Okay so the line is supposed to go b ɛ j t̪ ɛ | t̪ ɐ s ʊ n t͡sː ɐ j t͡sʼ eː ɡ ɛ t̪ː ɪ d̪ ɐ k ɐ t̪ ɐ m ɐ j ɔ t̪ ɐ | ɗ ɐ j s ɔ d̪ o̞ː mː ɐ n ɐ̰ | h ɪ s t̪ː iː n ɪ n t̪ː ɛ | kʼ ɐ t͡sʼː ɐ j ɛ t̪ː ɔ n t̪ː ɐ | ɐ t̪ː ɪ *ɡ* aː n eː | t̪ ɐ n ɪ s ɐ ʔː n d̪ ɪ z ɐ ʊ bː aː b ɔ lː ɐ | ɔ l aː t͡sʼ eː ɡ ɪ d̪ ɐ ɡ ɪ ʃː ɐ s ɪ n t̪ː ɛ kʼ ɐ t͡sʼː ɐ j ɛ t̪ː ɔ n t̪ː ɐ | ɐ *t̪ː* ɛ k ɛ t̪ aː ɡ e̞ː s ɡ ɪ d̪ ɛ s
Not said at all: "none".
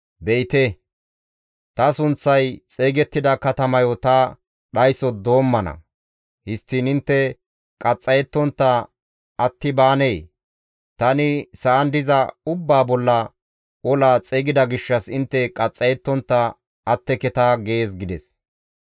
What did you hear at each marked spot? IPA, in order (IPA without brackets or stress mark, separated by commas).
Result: b, t̪ː